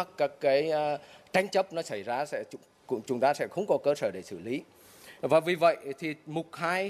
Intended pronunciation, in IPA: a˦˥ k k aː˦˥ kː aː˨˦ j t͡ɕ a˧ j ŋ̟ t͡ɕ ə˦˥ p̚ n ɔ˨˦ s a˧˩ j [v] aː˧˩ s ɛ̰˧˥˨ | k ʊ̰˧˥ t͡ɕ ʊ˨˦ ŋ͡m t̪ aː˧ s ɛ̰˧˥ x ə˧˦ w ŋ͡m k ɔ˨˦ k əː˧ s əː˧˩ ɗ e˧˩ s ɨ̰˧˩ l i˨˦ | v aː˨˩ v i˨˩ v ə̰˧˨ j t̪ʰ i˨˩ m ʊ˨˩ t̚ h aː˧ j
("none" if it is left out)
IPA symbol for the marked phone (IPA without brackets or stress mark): z